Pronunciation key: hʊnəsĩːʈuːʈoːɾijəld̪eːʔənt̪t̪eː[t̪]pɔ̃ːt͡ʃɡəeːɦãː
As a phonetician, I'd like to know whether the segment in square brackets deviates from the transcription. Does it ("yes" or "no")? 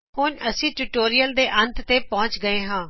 yes